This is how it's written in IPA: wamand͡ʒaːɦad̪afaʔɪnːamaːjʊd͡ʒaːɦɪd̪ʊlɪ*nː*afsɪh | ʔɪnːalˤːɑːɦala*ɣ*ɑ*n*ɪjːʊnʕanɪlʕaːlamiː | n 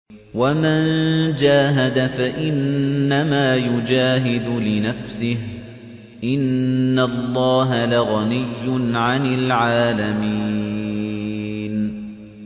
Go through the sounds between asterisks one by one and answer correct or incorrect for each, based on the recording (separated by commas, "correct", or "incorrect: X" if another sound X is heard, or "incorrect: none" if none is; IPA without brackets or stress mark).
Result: incorrect: n, correct, correct